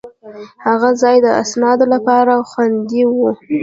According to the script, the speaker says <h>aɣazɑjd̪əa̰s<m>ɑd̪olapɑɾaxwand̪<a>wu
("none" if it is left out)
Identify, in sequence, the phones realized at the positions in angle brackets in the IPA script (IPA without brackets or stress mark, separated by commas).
h, n, i